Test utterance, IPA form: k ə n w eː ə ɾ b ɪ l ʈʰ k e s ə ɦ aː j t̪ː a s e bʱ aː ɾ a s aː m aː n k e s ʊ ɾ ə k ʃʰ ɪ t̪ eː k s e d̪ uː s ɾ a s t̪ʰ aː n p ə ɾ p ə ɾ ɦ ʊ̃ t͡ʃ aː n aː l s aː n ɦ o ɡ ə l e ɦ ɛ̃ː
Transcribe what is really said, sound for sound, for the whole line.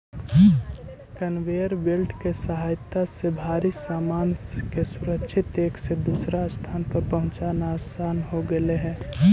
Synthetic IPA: k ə n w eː ə ɾ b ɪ l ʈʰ k e s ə ɦ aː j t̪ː a s e bʱ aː ɾ i s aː m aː n k e s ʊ ɾ ə k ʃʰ ɪ t̪ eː k s e d̪ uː s ɾ a s t̪ʰ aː n p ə ɾ p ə ɦ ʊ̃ t͡ʃ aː n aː s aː n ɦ o ɡ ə l e ɦ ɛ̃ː

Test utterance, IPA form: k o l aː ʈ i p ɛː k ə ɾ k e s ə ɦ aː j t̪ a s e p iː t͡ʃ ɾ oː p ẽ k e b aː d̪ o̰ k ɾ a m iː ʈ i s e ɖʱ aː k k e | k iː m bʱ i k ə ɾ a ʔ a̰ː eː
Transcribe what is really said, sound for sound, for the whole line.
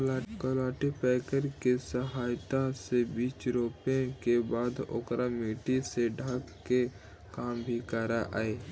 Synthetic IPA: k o l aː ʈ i p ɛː k ə ɾ k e s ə ɦ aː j t̪ a s e b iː t͡ʃ ɾ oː p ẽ k e b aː d̪ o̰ k ɾ a m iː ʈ i s e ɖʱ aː k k e | k aː m bʱ i k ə ɾ a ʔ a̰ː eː

